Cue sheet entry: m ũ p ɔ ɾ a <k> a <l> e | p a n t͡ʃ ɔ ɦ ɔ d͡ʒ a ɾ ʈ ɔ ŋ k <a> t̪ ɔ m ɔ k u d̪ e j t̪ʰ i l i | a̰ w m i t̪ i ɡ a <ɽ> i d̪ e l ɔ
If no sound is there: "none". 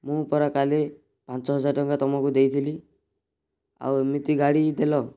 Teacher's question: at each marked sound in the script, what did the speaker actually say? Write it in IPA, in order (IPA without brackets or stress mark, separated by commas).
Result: k, l, a, ɽ